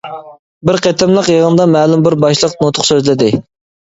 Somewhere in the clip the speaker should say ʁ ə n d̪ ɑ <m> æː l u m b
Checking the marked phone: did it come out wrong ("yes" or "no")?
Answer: no